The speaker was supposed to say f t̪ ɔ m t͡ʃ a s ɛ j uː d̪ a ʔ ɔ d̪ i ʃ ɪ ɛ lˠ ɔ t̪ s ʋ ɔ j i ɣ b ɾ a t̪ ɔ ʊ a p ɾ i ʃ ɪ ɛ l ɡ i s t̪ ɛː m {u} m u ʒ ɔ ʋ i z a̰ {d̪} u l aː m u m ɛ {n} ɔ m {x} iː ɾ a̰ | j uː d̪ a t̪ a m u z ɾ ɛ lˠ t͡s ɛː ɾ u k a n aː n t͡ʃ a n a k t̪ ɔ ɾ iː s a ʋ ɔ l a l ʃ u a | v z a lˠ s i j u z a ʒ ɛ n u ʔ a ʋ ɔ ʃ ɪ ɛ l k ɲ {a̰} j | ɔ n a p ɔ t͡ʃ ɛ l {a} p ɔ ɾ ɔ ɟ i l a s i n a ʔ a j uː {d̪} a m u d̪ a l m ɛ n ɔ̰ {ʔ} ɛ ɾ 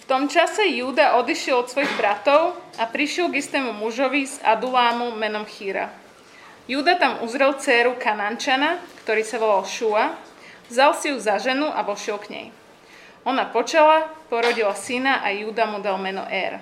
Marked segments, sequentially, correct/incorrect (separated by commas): correct, correct, correct, correct, incorrect, correct, correct, correct